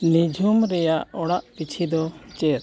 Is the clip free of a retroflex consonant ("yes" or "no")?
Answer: no